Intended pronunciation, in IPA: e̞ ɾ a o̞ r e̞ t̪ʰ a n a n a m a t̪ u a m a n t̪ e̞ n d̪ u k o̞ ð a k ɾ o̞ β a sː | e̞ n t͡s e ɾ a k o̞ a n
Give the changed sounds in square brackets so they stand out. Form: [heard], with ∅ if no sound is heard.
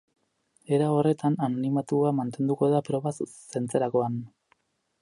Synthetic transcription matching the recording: e̞ ɾ a o̞ r e̞ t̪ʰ a n a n [i] m a t̪ u a m a n t̪ e̞ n d̪ u k o̞ ð a [p] ɾ o̞ β a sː | e̞ n t͡s e ɾ a k o̞ a n